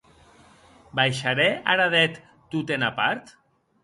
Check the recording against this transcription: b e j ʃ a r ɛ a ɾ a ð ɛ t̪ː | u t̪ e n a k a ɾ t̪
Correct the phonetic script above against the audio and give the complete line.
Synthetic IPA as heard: b a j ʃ a ɾ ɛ a ɾ a ð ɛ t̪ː | u t̪ e n a p a ɾ t̪